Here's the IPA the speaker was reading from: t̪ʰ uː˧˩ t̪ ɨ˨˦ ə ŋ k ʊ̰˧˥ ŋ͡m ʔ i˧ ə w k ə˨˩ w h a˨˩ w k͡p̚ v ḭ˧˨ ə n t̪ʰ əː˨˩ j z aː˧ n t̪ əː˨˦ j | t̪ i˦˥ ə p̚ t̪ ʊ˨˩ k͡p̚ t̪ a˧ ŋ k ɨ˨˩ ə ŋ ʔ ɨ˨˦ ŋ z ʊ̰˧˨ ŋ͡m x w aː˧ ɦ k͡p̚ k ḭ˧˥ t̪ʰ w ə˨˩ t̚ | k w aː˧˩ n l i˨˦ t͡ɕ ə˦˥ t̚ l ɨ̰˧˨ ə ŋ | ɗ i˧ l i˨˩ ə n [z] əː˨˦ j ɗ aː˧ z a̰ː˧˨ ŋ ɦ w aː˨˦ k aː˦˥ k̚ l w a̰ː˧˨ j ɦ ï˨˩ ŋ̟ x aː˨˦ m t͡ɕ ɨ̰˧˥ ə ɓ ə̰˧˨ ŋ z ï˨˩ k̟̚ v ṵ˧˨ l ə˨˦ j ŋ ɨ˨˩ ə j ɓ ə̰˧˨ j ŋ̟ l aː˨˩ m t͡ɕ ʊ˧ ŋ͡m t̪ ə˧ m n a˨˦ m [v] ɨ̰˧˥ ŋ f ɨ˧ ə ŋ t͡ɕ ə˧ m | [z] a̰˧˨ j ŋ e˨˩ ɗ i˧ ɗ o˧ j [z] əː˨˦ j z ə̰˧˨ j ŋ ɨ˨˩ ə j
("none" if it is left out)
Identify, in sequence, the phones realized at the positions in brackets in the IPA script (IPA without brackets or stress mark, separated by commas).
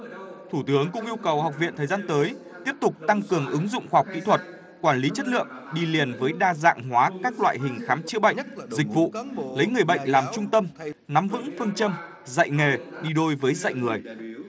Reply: v, v, z, v